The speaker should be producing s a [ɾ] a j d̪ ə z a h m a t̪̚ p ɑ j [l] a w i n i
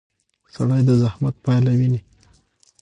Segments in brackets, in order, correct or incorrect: incorrect, correct

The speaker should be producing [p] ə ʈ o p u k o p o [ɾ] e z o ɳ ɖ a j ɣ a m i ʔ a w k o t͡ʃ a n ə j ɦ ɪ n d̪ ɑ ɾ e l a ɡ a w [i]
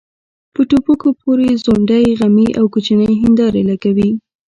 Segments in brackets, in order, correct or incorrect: correct, correct, correct

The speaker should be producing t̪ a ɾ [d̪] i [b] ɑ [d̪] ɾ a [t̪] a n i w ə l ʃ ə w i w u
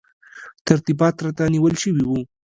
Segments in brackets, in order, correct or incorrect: incorrect, correct, incorrect, correct

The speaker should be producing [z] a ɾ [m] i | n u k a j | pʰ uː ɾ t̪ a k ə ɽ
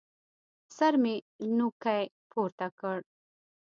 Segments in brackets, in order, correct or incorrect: incorrect, correct

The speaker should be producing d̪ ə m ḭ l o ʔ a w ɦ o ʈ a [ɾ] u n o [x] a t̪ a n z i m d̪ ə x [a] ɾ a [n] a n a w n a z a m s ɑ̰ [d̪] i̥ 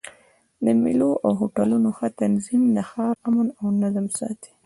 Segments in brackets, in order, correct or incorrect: incorrect, correct, incorrect, incorrect, incorrect

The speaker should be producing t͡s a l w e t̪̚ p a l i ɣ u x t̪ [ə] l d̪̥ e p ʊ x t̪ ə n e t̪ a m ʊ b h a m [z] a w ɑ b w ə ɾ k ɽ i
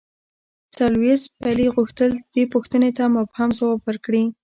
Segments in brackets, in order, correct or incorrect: correct, correct

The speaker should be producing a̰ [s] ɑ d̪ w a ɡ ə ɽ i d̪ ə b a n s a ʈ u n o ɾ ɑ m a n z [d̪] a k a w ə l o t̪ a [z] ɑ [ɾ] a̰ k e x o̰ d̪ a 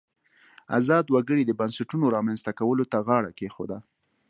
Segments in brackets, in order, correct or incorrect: incorrect, incorrect, incorrect, incorrect

